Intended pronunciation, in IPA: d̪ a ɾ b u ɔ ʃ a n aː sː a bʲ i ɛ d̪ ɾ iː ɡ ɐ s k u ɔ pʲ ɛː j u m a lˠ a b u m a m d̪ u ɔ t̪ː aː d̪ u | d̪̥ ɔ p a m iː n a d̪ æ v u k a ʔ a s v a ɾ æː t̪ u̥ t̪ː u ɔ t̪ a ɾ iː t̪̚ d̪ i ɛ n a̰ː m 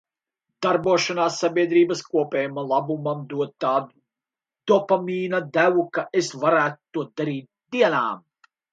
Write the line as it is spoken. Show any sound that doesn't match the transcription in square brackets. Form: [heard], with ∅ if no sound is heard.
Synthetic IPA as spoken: d̪ a ɾ b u ɔ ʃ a n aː sː a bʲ i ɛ d̪ ɾ iː [b] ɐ s k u ɔ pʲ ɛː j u m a lˠ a b u m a m d̪ u ɔ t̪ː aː d̪ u | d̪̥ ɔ p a m iː n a d̪ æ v u k a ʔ [e] s v a ɾ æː t̪ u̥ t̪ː u ɔ [d̪] a ɾ iː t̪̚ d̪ i ɛ n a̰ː m